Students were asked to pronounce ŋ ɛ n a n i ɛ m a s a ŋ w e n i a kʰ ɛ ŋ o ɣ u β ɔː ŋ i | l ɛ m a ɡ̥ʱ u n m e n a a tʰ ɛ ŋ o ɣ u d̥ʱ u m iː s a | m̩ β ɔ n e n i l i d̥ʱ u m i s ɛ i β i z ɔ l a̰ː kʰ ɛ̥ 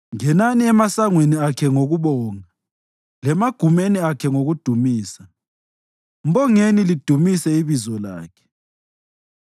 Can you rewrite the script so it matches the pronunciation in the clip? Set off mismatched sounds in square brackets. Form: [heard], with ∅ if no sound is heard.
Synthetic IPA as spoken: ŋ ɛ n a n i ɛ m a s a ŋ w e n i a kʰ ɛ ŋ o ɣ u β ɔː ŋ [a] | l ɛ m a ɡ̥ʱ u [∅] m e n [i] a [kʰ] ɛ ŋ o ɣ u d̥ʱ u m iː s a | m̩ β ɔ [ŋ] e n i l i d̥ʱ u m i s ɛ i β i z ɔ l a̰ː kʰ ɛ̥

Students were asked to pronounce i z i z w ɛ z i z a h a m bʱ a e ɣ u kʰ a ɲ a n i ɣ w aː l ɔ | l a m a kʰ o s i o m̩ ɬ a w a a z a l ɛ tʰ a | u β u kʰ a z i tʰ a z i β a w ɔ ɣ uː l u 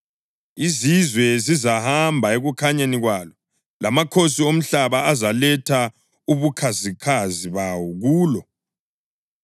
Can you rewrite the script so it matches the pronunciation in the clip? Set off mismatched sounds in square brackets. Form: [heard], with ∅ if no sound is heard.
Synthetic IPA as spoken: i z i z w ɛ z i z a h a m bʱ a e ɣ u kʰ a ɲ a n i ɣ w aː l ɔ | l a m a kʰ o s i o m̩ ɬ a [β] a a z a l ɛ tʰ a | u β u kʰ a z i [kʰ] a z i β a w ɔ ɣ uː l [ɔ]

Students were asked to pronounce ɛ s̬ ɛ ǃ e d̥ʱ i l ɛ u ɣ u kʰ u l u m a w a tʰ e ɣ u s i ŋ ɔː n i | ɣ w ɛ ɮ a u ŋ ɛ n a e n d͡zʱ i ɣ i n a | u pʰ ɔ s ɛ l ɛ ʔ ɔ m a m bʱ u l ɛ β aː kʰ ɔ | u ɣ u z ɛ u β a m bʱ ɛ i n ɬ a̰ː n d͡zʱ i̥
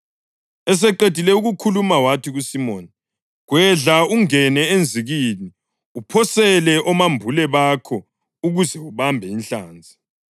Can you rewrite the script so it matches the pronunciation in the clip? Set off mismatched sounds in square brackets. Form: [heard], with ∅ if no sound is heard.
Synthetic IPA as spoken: ɛ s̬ ɛ ǃ e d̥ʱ i l ɛ u ɣ u kʰ u l u m a w a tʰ [i] ɣ u s i [m] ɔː n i | ɣ w ɛ ɮ a u ŋ ɛ n [ɛ] e n d͡zʱ i ɣ i n [i] | u pʰ ɔ s ɛ l ɛ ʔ ɔ m a m bʱ u l ɛ β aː kʰ ɔ | u ɣ u z ɛ u β a m bʱ ɛ i n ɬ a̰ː n d͡zʱ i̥

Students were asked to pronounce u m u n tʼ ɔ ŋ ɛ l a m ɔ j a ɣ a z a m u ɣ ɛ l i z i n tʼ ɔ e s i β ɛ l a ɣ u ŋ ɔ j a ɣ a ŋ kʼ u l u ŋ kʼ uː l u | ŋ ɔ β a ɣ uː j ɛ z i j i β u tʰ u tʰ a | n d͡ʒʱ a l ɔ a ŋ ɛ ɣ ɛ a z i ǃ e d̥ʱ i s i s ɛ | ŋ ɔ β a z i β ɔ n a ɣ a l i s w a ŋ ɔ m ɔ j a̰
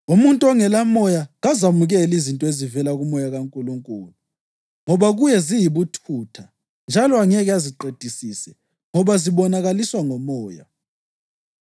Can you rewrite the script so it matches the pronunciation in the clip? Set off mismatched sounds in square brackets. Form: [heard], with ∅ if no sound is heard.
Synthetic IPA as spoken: u m u n tʼ ɔ ŋ ɛ l a m ɔ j a ɣ a z a m u ɣ ɛ l i z i n tʼ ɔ e [z] i [v] ɛ l a ɣ u [m] ɔ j a ɣ a ŋ kʼ u l u ŋ kʼ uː l u | ŋ ɔ β a ɣ [u] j ɛ z i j i β u tʰ u tʰ a | n d͡ʒʱ a l ɔ a ŋ ɛ ɣ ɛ a z i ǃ e d̥ʱ i s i s ɛ | ŋ ɔ β a z i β ɔ n a ɣ a l i s w a ŋ ɔ m [ɔː] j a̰

